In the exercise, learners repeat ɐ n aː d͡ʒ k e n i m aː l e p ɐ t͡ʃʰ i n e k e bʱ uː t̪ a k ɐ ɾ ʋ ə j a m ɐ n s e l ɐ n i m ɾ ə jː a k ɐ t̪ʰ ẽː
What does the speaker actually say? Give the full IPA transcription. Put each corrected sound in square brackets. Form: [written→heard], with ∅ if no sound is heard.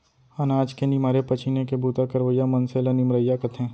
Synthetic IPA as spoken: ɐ n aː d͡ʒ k e n i m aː [l→ɾ] e p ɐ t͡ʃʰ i n e k e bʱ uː t̪ a k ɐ ɾ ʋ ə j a m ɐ n s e l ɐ n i m ɾ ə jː a k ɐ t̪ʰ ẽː

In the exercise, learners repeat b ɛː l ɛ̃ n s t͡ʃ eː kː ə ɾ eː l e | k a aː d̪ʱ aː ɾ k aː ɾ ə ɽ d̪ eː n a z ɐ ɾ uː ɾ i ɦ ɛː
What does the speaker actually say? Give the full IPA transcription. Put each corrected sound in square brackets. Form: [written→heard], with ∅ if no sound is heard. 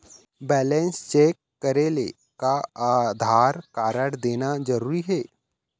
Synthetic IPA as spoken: b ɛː l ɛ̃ n s t͡ʃ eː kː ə ɾ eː l e | k a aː d̪ʱ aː ɾ k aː ɾ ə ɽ d̪ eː n a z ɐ ɾ uː ɾ i ɦ ɛː

